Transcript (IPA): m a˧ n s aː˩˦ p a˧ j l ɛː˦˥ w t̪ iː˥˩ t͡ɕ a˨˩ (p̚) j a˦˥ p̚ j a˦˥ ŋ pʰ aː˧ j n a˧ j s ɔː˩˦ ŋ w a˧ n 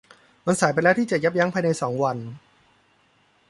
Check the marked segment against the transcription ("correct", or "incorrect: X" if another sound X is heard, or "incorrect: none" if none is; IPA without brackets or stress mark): incorrect: none